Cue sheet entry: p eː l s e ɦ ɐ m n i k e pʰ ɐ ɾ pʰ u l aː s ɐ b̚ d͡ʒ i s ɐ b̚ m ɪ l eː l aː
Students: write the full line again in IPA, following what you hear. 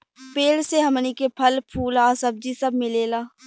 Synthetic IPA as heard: p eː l s e ɦ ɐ m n i k e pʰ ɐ l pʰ uː l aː s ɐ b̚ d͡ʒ i s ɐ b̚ m ɪ l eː l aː